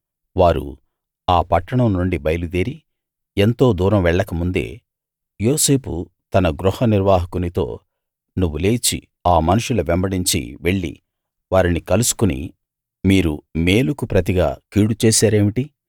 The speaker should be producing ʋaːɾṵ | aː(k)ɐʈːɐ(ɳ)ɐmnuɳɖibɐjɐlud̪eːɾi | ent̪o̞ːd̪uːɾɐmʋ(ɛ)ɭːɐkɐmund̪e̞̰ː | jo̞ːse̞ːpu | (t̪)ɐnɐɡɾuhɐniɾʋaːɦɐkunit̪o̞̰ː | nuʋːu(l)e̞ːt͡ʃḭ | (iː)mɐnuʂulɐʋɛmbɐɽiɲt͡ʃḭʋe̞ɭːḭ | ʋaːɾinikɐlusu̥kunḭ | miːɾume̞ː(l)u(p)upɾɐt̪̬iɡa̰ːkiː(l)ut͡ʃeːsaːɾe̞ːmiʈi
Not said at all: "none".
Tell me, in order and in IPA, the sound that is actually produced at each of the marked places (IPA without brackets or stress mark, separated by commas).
p, ɳ, ɛ, t̪, l, aː, l, k, ɽ